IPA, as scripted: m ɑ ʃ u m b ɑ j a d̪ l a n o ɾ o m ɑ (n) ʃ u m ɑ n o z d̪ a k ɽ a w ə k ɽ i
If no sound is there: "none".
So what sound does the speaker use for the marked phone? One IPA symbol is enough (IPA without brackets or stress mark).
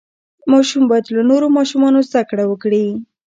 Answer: none